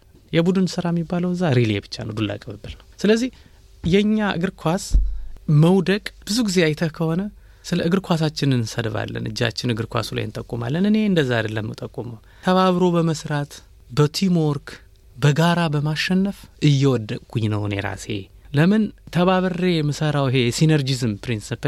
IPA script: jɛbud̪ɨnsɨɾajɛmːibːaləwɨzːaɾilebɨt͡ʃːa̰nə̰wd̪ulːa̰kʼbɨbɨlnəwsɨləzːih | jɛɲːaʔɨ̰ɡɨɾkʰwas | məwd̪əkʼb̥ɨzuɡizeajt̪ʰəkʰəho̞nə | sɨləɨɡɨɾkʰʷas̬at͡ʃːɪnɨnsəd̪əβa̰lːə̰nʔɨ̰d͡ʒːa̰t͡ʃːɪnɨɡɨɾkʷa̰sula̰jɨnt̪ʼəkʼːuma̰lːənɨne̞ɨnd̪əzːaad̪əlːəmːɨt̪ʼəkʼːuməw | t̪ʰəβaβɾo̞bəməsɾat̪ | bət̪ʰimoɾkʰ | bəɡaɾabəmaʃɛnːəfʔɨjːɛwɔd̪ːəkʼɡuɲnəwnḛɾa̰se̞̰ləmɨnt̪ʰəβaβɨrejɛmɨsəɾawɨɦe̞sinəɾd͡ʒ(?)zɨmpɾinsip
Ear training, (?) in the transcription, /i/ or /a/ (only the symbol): i